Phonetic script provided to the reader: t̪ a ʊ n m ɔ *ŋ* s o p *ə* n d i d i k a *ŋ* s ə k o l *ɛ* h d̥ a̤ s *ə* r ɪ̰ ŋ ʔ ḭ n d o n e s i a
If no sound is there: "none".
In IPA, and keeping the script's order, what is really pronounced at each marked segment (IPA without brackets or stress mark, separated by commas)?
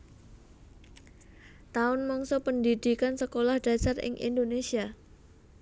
ŋ, ə, n, a, a